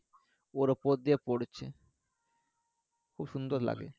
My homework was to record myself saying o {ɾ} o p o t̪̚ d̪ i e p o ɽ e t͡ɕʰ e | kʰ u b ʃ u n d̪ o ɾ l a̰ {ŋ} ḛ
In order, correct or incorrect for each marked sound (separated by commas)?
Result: correct, incorrect